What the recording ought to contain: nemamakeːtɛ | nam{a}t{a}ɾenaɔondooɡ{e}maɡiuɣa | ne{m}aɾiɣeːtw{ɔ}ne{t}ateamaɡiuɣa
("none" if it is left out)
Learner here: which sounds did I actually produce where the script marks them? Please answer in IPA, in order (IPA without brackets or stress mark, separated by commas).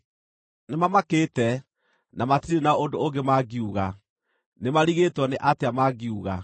a, i, e, m, ɔ, ʔ